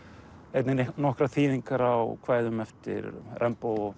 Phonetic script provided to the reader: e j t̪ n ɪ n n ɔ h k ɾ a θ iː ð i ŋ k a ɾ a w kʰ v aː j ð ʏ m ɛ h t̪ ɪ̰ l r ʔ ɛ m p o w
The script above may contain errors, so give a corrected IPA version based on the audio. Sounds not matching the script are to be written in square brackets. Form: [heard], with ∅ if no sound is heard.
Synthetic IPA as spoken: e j t̪ n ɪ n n ɔ h k ɾ a θ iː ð i ŋ k a ɾ a w kʰ v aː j ð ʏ m ɛ [f] t̪ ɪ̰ [ɾ] r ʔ ɛ m p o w